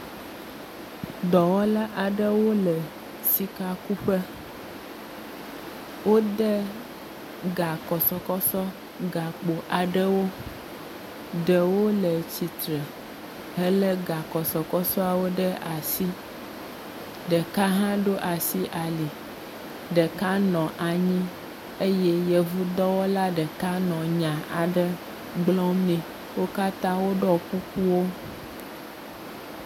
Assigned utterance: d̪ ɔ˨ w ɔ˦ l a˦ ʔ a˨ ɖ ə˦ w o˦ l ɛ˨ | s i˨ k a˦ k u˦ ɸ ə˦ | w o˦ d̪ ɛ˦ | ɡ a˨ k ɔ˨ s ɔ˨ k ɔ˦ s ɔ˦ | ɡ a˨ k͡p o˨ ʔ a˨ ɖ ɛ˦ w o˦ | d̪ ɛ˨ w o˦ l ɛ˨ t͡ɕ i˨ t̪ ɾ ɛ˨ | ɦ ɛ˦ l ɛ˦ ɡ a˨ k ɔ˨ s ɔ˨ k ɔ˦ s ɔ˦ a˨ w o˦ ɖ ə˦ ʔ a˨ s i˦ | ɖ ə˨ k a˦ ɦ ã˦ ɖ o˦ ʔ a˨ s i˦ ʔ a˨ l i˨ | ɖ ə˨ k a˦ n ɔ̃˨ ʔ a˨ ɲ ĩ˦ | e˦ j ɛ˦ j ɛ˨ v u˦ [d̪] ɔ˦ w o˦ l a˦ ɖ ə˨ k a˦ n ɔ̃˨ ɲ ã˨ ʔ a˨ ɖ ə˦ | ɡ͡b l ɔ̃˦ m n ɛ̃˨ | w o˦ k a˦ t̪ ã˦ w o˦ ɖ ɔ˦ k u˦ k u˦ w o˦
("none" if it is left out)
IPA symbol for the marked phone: d̪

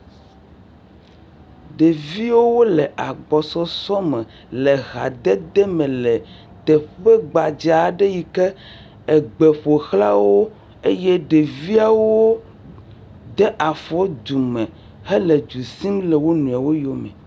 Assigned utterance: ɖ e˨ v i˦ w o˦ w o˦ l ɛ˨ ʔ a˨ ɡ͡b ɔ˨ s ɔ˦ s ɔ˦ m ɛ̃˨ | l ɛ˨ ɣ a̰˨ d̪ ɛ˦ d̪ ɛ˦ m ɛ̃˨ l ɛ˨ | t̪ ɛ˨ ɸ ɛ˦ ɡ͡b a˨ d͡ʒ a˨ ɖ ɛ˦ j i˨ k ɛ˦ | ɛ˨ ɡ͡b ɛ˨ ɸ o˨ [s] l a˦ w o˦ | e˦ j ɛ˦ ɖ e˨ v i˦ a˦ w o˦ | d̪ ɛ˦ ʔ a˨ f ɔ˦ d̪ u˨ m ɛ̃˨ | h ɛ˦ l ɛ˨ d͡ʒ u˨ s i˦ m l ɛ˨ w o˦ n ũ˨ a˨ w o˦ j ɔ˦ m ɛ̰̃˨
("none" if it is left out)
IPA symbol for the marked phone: x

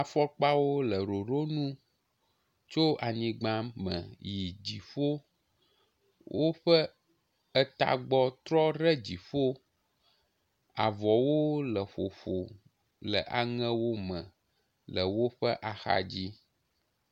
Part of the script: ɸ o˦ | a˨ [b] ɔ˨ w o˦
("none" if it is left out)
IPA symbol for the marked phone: v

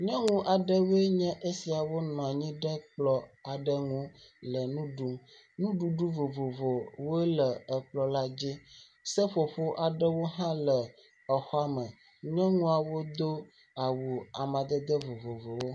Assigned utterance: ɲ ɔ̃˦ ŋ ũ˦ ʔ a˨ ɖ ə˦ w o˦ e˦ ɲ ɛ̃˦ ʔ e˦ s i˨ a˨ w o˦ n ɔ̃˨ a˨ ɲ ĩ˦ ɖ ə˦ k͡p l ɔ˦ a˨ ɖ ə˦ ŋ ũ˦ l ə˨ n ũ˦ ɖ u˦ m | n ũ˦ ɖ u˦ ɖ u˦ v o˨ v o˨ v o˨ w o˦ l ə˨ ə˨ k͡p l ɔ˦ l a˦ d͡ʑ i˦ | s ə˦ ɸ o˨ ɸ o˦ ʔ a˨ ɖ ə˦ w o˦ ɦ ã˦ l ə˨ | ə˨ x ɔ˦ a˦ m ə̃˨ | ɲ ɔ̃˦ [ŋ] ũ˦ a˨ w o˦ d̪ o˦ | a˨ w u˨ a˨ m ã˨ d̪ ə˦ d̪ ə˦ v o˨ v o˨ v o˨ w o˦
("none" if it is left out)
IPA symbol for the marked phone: ŋ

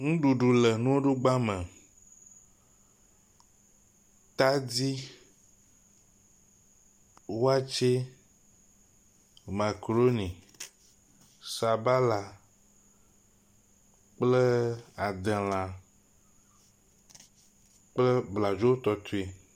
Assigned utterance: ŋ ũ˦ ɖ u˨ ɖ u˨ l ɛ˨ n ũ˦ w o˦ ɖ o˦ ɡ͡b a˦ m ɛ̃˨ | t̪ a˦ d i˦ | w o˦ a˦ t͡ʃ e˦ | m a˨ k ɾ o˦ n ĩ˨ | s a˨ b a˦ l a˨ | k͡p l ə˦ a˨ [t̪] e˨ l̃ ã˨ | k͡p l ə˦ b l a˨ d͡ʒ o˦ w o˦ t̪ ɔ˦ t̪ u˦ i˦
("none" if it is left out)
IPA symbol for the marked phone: d̪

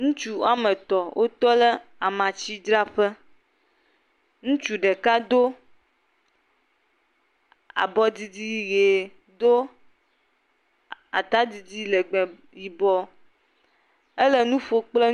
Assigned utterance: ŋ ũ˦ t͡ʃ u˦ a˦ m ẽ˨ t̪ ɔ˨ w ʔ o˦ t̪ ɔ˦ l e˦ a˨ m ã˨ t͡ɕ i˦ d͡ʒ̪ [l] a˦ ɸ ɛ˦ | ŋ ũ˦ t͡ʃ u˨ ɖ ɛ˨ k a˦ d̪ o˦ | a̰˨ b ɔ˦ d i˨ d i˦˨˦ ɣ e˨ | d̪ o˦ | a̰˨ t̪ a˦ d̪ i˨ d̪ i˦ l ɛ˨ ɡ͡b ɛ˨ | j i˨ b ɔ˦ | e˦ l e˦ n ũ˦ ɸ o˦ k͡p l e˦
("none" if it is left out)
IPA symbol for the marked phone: ɾ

